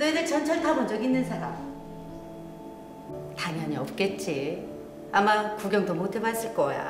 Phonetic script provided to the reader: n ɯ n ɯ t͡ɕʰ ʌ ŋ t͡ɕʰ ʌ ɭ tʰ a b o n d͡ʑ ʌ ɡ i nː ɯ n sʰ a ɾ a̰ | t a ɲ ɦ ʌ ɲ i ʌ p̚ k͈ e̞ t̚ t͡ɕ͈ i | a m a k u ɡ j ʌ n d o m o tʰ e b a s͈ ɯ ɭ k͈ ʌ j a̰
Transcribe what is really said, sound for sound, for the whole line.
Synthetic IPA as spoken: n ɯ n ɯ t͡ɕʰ ʌ n t͡ɕʰ ʌ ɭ tʰ a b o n d͡ʑ ʌ ɡ i nː ɯ n sʰ a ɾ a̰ | t a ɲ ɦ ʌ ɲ i ʌ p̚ k͈ e̞ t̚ t͡ɕ͈ i | a m a k u ɡ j ʌ ŋ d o m o tʰ e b a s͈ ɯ ɭ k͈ ʌ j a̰